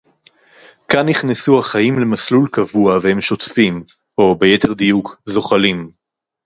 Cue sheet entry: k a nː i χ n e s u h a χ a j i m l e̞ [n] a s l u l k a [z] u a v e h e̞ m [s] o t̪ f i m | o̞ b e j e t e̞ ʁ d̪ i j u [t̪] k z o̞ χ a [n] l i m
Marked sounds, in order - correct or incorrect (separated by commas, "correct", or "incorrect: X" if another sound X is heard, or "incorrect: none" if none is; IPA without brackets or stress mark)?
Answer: incorrect: m, incorrect: v, incorrect: ʃ, incorrect: none, incorrect: none